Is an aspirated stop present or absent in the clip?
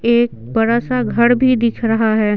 present